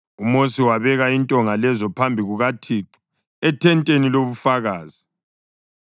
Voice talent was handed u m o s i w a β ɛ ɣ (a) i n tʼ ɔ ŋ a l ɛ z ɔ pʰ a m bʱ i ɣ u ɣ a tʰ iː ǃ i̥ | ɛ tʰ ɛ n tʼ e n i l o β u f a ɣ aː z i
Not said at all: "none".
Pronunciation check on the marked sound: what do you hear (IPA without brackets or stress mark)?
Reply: a